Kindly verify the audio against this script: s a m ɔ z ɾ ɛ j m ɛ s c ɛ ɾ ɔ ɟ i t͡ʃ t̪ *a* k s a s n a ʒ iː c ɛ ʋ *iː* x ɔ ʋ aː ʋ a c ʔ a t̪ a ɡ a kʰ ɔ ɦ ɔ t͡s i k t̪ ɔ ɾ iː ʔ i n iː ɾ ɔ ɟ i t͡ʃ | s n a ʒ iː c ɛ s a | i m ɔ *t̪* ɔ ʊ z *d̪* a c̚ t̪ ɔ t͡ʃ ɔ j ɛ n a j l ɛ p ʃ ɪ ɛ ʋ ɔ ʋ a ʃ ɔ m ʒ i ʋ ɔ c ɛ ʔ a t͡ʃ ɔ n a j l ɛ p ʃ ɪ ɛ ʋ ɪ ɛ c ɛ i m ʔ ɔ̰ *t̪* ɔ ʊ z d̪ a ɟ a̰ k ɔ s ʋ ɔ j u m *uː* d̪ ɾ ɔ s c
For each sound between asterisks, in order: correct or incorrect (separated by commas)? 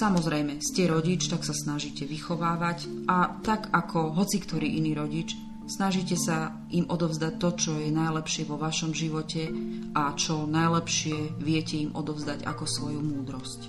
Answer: correct, incorrect, incorrect, correct, incorrect, correct